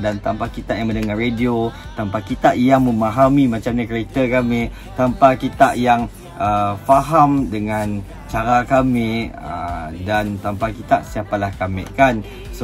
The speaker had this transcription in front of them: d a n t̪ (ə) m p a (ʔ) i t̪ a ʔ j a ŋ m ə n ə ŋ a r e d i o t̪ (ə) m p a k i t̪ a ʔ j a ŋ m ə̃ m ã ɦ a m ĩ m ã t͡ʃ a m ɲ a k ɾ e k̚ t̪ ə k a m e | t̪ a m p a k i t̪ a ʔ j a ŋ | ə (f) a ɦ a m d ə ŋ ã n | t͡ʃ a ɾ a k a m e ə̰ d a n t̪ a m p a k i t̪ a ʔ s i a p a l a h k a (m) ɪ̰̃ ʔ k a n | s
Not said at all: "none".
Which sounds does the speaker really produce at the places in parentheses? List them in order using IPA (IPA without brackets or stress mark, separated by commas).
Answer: a, k, a, f, m